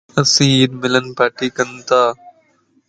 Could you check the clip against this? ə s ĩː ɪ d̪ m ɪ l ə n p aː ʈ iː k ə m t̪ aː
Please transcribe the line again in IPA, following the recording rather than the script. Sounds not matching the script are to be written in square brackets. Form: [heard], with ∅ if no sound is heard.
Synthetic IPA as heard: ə s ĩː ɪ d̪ m ɪ l ə n p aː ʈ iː k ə [n] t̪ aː